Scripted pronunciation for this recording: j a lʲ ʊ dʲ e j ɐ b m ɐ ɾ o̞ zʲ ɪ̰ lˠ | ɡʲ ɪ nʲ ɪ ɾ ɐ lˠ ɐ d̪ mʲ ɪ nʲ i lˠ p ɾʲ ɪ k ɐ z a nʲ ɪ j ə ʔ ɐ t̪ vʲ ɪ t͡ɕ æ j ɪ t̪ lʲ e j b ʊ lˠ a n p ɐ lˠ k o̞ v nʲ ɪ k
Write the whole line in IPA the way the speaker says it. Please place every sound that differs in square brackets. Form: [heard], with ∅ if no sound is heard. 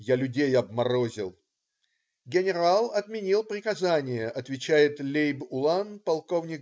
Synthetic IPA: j a lʲ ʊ dʲ e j ɐ b m ɐ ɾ o̞ zʲ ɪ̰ lˠ | ɡʲ ɪ nʲ ɪ ɾ [a] lˠ ɐ [t̪] mʲ ɪ nʲ i lˠ p ɾʲ ɪ k ɐ z a nʲ ɪ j ə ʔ ɐ t̪ vʲ ɪ t͡ɕ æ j ɪ t̪ lʲ e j b ʊ lˠ a n p ɐ lˠ k o̞ v nʲ ɪ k